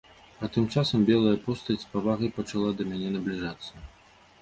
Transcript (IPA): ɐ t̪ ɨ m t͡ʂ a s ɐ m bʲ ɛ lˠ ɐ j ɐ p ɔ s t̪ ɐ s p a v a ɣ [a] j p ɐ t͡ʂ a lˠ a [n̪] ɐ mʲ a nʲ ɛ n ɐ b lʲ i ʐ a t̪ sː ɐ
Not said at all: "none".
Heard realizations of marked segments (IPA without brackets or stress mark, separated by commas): ɐ, d̪